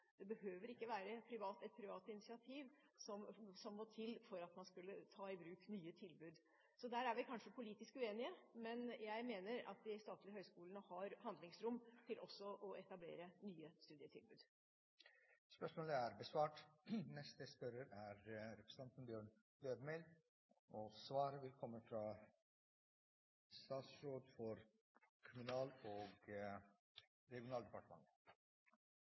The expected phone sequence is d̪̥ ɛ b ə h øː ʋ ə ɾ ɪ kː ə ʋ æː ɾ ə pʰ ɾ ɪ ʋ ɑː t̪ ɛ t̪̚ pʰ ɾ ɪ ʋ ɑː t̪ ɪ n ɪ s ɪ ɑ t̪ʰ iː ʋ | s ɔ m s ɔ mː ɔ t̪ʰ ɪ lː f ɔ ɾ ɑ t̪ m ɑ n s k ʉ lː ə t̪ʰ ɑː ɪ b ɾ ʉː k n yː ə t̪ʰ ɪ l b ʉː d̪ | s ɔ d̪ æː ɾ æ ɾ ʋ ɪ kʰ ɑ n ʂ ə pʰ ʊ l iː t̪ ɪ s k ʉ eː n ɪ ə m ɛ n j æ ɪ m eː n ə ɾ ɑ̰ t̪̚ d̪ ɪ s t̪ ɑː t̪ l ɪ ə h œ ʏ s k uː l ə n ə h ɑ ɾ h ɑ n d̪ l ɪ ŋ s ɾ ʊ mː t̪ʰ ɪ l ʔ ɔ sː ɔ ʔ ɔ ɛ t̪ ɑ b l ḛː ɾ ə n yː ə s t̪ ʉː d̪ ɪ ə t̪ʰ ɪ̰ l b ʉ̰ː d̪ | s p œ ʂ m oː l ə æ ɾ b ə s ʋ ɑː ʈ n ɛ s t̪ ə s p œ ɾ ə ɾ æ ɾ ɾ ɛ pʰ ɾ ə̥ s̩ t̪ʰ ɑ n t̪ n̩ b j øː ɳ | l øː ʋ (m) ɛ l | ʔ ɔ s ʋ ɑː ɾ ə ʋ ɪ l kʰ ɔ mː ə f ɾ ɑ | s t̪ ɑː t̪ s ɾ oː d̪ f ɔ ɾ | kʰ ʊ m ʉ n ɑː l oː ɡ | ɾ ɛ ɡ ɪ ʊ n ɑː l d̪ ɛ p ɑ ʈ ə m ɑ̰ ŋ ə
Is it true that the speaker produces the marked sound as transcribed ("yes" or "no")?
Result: yes